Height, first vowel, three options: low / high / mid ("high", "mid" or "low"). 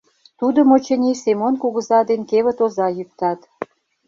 high